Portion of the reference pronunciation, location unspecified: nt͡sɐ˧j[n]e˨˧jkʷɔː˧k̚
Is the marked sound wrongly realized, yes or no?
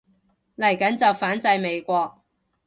yes